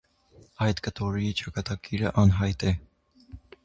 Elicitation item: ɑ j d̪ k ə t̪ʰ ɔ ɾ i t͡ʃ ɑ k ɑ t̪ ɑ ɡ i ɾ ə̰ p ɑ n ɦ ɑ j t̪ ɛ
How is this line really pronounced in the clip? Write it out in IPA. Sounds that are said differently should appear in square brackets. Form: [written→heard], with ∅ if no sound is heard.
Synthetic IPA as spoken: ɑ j [d̪→t̪] k ə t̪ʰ ɔ ɾ i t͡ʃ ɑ k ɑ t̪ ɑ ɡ i ɾ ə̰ [p→ʔ] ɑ n ɦ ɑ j t̪ ɛ